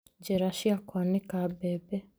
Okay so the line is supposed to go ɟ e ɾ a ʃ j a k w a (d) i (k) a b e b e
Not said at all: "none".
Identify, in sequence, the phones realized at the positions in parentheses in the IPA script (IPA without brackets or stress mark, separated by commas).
n, k